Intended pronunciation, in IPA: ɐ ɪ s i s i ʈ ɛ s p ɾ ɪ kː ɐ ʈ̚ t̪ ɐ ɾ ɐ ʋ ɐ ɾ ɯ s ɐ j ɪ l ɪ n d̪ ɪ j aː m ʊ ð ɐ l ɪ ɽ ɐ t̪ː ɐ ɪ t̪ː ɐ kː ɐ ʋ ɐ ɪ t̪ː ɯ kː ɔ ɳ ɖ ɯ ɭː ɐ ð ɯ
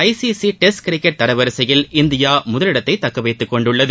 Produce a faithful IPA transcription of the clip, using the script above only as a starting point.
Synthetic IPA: ɐ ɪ s i s i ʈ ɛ s k ɾ ɪ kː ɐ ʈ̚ t̪ ɐ ɾ ɐ ʋ ɐ ɾ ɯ s ɐ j ɪ l ɪ n d̪ ɪ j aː m ʊ ð ɐ l ɪ ɽ ɐ t̪ː ɐ ɪ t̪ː ɐ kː ɐ ʋ ɐ ɪ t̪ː ɯ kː ɔ ɳ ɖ ɯ ɭː ɐ ð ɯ